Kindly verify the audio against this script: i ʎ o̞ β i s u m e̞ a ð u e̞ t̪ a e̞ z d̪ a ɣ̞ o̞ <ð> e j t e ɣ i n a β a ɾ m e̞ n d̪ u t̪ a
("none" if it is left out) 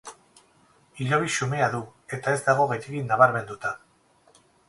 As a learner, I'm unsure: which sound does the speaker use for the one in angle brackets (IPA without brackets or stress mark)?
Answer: ɣ